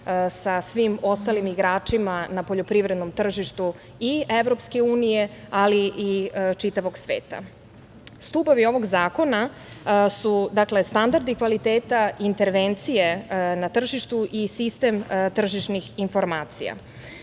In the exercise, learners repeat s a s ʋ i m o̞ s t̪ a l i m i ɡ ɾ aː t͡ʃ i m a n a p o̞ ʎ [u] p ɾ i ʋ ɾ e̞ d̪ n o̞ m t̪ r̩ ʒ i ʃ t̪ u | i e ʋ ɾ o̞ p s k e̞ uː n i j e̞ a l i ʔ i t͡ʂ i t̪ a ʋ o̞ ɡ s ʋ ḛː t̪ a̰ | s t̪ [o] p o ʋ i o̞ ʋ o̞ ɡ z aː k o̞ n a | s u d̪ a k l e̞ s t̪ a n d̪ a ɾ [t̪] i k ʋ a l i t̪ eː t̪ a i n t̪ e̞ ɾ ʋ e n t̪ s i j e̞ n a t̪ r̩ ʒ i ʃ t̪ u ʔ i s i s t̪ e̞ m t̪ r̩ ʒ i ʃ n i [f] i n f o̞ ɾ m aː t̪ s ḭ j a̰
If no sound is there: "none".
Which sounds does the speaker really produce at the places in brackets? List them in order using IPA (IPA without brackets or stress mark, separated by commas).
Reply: o, u, d̪, x